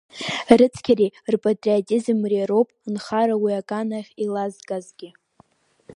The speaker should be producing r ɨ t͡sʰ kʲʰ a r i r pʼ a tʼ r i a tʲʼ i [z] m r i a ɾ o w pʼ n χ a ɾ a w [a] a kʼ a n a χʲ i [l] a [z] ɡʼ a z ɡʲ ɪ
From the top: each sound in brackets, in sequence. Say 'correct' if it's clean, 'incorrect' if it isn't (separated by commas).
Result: correct, incorrect, correct, correct